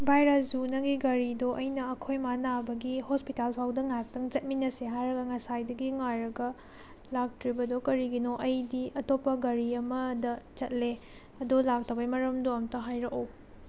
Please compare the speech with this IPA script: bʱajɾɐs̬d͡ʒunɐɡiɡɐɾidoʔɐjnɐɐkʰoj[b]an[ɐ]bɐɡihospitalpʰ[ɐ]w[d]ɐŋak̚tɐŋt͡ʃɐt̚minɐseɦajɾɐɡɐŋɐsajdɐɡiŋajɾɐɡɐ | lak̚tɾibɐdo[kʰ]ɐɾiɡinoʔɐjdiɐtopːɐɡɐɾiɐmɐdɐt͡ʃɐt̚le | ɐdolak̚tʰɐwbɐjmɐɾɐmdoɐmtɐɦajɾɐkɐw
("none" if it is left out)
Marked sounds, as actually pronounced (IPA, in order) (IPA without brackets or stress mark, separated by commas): m, a, a, d, k